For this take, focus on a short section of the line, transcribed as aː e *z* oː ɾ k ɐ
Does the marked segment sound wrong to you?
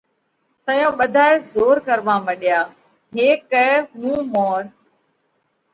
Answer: no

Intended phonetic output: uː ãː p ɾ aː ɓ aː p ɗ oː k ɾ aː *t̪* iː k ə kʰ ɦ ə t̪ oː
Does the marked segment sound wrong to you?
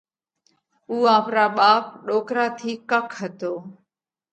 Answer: yes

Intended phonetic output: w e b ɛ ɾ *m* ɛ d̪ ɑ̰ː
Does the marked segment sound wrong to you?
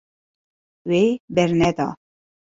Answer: yes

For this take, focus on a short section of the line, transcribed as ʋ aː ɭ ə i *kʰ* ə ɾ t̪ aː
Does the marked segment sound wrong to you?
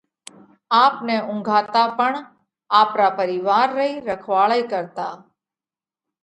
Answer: yes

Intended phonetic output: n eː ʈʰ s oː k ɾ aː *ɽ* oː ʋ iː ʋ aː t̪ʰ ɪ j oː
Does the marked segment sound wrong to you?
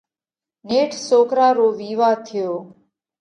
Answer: yes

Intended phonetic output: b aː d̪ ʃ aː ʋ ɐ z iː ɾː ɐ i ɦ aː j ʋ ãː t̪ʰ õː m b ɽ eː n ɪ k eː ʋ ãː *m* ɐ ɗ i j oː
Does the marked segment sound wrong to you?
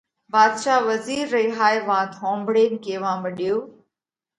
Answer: no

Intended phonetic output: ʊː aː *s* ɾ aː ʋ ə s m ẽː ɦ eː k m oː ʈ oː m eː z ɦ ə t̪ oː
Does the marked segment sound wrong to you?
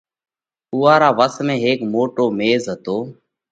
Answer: yes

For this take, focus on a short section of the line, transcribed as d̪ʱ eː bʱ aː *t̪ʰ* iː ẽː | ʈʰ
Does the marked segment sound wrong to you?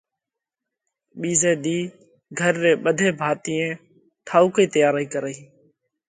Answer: yes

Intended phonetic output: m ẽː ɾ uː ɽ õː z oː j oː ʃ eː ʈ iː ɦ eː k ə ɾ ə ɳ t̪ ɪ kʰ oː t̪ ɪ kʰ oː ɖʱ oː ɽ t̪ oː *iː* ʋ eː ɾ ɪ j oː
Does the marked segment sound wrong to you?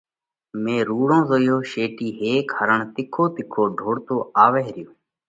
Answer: yes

